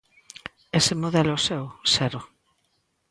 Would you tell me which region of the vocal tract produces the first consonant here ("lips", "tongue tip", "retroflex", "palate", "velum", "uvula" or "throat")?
tongue tip